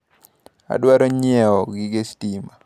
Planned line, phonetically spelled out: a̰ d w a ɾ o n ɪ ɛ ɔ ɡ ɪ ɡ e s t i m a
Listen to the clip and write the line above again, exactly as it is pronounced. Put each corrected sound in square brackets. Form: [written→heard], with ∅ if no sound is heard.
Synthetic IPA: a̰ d w a ɾ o [n→ɲ] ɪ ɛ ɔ ɡ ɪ ɡ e s t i m a